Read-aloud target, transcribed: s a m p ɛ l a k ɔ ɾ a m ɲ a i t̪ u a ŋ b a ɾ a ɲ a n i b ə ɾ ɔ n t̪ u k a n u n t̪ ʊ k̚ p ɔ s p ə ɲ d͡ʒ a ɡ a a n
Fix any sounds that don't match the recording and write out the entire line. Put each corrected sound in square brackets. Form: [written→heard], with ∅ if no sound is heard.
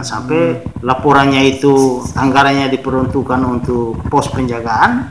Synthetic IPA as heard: s a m p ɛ l a [k→p] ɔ ɾ a [m→n] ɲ a i t̪ u a ŋ [b→ɡ] a ɾ a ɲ a [n→d] i [b→p] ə ɾ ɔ n t̪ u k a n u n t̪ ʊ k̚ p ɔ s p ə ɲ d͡ʒ a ɡ a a n